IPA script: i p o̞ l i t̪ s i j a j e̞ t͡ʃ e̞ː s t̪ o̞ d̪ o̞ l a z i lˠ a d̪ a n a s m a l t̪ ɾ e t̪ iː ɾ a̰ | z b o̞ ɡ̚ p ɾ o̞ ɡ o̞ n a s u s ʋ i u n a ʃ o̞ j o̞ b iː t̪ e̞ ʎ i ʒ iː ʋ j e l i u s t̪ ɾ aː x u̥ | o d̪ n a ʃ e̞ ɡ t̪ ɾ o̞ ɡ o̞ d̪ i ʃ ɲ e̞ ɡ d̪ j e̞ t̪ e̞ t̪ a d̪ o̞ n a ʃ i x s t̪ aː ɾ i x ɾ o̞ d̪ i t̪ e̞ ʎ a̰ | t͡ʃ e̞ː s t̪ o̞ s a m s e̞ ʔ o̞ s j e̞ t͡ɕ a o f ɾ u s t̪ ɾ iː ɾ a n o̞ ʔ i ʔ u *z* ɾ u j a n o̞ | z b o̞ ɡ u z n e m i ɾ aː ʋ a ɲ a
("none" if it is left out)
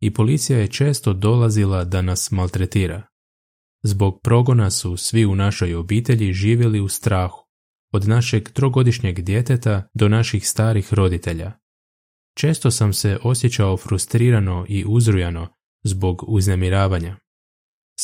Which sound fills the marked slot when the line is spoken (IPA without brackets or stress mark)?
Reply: z